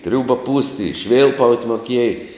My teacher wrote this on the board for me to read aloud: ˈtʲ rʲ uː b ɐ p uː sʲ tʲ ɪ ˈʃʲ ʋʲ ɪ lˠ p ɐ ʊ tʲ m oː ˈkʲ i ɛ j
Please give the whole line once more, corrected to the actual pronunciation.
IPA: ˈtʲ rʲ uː b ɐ p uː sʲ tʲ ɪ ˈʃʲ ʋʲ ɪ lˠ p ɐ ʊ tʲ m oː ˈkʲ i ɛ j